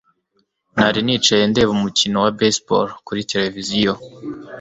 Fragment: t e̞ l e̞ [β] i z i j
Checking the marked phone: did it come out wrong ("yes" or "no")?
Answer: yes